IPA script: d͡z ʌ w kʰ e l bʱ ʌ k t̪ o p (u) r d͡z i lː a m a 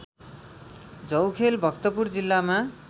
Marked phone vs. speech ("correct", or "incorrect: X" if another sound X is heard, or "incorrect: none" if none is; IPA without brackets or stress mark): correct